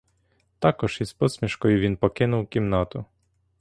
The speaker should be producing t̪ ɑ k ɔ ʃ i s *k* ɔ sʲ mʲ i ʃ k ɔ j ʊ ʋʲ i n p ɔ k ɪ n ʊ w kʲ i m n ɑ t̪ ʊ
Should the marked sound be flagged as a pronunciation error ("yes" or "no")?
yes